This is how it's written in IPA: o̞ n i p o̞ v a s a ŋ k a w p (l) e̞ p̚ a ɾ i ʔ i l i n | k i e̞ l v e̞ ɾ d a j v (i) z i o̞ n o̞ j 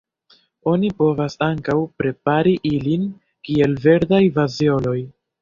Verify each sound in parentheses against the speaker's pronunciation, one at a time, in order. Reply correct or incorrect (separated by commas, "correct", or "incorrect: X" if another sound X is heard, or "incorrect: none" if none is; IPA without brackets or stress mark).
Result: incorrect: ɾ, incorrect: a